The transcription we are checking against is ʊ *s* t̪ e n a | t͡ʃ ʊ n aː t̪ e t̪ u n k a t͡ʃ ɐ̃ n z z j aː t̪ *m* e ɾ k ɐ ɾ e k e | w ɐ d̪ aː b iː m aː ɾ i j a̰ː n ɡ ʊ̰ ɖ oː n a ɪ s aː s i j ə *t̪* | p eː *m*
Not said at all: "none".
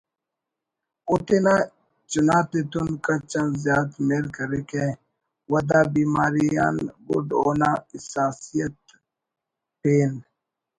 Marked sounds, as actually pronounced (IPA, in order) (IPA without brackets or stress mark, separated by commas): none, m, t̪, n